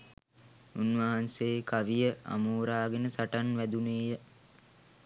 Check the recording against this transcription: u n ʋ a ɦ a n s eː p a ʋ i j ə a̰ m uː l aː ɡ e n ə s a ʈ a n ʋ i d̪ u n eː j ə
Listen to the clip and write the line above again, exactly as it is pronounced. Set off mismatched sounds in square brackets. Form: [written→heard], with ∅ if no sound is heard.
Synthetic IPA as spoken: u n ʋ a ɦ a n s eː [p→k] a ʋ i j ə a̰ m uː [l→ɾ] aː ɡ e n ə s a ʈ a n ʋ [i→æ] d̪ u n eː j ə